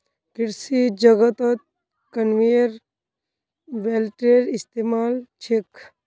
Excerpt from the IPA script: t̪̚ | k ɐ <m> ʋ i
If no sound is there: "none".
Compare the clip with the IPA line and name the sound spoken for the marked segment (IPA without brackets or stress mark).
n